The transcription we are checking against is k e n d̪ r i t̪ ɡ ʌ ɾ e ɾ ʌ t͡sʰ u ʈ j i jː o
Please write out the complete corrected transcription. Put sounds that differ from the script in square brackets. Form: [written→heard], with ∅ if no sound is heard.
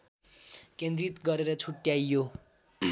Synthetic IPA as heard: k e n d̪ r i t̪ ɡ ʌ ɾ e ɾ ʌ t͡sʰ u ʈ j [i→a] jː o